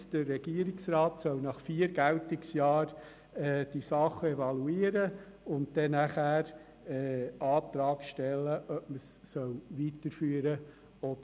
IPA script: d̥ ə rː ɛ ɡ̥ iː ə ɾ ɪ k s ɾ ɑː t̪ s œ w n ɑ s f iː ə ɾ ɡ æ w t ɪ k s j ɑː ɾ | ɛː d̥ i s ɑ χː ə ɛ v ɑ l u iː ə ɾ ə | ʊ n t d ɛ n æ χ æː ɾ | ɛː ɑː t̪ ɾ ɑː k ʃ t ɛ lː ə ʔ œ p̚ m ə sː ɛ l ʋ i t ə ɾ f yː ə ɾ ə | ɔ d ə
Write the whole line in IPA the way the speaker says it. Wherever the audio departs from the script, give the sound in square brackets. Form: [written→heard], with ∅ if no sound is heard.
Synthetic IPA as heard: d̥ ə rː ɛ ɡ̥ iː ə ɾ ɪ k s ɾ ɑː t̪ s œ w n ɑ [s→χ] f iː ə ɾ ɡ æ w t ɪ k s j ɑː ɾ | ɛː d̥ i s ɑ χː ə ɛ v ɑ l u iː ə ɾ ə | ʊ n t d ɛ n æ χ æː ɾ | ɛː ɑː t̪ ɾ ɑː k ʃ t ɛ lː ə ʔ œ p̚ m ə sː [ɛ→œ] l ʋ i t ə ɾ f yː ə ɾ ə | ɔ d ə